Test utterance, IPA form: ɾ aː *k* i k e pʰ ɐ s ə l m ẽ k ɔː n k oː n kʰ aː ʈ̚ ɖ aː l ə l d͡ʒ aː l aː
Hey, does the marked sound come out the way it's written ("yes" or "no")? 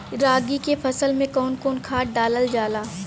no